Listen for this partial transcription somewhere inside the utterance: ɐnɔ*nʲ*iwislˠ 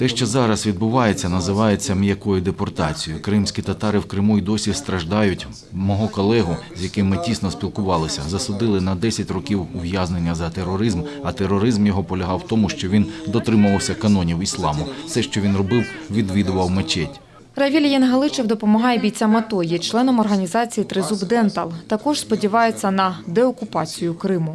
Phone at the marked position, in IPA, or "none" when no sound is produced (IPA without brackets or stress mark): nʲ